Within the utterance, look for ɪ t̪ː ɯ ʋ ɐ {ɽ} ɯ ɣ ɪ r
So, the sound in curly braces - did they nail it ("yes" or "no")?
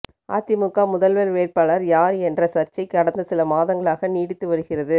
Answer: no